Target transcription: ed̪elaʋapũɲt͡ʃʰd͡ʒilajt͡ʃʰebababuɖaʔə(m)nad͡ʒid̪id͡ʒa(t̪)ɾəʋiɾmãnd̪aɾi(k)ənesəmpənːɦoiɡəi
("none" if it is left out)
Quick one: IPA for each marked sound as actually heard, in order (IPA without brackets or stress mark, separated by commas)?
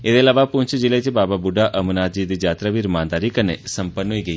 m, t̪, k